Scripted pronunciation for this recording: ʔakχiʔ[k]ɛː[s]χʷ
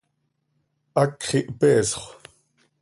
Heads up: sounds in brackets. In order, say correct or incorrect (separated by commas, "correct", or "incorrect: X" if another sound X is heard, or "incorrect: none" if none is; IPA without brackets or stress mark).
incorrect: p, correct